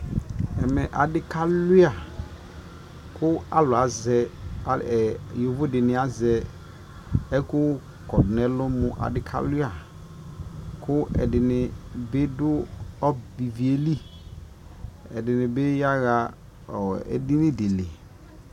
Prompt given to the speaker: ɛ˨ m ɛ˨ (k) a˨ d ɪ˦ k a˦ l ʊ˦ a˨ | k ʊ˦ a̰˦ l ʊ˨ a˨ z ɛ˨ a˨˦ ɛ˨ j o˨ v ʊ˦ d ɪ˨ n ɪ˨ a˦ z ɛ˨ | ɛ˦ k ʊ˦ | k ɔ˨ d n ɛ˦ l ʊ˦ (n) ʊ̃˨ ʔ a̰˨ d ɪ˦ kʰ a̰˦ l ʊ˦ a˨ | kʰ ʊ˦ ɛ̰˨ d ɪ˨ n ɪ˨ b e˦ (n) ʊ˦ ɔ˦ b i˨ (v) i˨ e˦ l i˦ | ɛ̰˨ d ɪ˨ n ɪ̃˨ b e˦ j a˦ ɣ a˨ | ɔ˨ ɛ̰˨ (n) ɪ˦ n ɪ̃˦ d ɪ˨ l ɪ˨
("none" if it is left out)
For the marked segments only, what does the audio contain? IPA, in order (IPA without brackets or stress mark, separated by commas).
ʔ, m, d, v, d